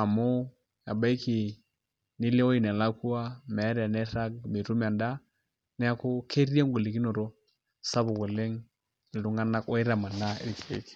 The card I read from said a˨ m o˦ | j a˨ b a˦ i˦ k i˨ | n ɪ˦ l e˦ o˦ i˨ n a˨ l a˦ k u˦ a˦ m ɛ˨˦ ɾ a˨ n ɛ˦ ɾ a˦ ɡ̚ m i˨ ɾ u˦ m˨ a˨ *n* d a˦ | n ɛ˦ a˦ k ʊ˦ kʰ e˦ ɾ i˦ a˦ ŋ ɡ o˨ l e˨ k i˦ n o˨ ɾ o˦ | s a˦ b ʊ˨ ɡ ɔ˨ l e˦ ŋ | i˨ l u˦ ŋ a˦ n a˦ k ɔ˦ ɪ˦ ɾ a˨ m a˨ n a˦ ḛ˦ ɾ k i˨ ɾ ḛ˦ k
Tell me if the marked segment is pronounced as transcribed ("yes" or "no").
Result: yes